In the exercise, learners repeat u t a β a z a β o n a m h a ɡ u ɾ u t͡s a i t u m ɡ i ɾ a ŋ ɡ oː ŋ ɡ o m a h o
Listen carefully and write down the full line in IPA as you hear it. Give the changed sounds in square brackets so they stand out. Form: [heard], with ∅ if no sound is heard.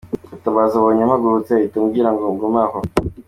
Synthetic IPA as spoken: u t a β a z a β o [ɲ] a m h a ɡ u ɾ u t͡s [e] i t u m ɡ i ɾ a ŋ ɡ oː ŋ ɡ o m a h o